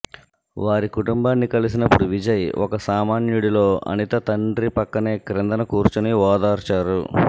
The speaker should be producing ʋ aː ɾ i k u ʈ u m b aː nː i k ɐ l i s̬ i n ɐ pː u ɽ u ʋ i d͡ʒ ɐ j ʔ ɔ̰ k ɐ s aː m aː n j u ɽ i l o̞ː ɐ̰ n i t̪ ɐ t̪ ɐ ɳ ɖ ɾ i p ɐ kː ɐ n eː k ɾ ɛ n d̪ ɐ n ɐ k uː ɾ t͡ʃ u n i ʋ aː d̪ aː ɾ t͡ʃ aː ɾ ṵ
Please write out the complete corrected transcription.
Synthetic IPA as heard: ʋ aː ɾ i k u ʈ u m b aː nː i k ɐ l i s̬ i n ɐ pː u ɽ u ʋ i d͡ʒ ɐ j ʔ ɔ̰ k ɐ s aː m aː n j u ɽ i l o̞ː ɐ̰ n i t̪ ɐ t̪ ɐ ɳ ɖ ɾ i p ɐ kː ɐ n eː k ɾ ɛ n d̪ ɐ n ɐ k uː ɾ t͡ʃ u n i ʋ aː d̪ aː ɾ t͡ʃ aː ɾ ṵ

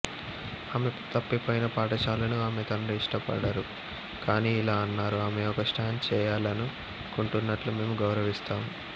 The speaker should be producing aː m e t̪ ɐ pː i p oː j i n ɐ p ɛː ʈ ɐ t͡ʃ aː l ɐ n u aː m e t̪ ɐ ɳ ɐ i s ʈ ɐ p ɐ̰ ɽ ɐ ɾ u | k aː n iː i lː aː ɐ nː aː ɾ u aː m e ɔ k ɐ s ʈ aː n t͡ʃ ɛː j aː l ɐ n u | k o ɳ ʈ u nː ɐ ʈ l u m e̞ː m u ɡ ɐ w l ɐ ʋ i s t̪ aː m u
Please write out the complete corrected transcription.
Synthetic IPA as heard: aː m e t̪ ɐ pː i p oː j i n ɐ p aː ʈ ɐ t͡ʃ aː l ɐ n u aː m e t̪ ɐ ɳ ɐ i ʂ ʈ ɐ p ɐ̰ ɽ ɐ ɾ u | k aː n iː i l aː ɐ nː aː ɾ u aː m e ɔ k ɐ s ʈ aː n t͡ʃ ɛː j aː l ɐ n u | k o ɳ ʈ u nː ɐ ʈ l u m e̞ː m u ɡ ɐ w ɾ ɐ ʋ i s t̪ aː m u

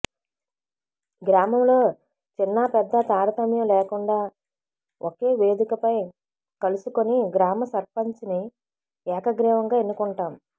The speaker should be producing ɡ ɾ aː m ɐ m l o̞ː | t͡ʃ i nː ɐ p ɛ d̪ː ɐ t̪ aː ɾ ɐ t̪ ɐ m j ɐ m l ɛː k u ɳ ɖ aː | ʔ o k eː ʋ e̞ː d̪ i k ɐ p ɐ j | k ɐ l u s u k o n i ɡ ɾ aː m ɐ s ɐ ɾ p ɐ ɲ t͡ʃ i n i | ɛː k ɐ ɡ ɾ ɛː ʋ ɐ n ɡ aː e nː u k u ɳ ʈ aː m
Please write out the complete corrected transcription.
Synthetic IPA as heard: ɡ ɾ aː m ɐ m l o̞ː | t͡ʃ i nː ɐ p ɛ d̪ː ɐ t̪ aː ɾ ɐ t̪ ɐ m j ɐ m l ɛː k u ɳ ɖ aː | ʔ o k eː ʋ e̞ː d̪ i k ɐ p ɐ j | k ɐ l u s u k o n i ɡ ɾ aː m ɐ s ɐ ɾ p ɐ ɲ t͡ʃ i n i | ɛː k ɐ ɡ ɾ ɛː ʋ ɐ ŋ ɡ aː e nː u k u ɳ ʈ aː m

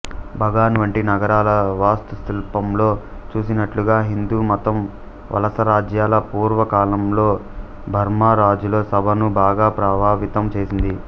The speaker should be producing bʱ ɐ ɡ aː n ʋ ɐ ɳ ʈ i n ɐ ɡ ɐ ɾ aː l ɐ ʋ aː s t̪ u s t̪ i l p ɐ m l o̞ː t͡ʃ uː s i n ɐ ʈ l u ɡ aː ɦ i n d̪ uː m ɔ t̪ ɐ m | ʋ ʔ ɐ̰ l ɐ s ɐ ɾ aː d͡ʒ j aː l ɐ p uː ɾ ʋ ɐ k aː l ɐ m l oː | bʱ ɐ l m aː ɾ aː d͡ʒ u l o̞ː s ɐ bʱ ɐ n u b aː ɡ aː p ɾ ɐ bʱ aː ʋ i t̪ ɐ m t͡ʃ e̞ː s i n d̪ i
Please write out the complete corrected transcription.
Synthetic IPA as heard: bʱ ɐ ɡ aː n ʋ ɐ ɳ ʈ i n ɐ ɡ ɐ ɾ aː l ɐ ʋ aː s t̪ u s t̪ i l p ɐ m l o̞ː t͡ʃ uː s i n ɐ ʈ l u ɡ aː ɦ i n d̪ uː m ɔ t̪ ɐ m | ʋ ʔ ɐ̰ l ɐ s ɐ ɾ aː d͡ʒ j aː l ɐ p uː ɾ ʋ ɐ k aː l ɐ m l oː | bʱ ɐ ɾ m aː ɾ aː d͡ʒ u l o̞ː s ɐ bʱ ɐ n u b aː ɡ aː p ɾ ɐ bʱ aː ʋ i t̪ ɐ m t͡ʃ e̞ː s i n d̪ i

